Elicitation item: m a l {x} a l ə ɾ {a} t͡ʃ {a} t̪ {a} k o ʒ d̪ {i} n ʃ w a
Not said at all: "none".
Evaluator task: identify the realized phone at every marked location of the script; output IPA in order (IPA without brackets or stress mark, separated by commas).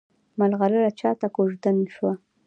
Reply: ɣ, a, ɑ, a, a